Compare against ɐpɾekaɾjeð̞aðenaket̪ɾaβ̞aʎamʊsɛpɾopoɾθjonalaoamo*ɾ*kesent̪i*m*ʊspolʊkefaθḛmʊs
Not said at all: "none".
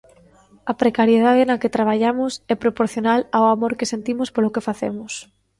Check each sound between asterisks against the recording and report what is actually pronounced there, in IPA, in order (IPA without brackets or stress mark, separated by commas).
ɾ, m